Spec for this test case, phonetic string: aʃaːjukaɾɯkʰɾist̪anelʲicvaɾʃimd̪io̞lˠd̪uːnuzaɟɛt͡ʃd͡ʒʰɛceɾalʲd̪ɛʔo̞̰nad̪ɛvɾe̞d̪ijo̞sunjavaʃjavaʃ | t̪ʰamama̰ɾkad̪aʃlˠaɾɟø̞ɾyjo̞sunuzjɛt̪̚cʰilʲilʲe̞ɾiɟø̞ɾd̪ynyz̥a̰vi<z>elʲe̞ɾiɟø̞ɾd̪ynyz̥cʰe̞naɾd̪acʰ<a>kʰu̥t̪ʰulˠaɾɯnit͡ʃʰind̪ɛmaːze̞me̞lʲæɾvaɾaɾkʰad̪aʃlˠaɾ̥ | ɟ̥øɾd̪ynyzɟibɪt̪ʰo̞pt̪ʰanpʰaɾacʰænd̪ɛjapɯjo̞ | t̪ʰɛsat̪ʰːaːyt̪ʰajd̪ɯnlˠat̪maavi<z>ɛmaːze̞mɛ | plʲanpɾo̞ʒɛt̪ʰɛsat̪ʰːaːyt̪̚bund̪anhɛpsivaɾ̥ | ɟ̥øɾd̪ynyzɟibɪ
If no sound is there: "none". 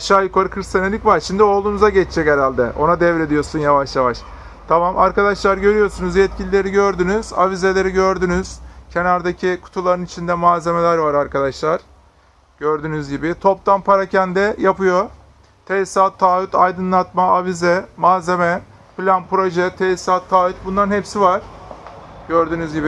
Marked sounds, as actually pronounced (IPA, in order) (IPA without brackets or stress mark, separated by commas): z, i, z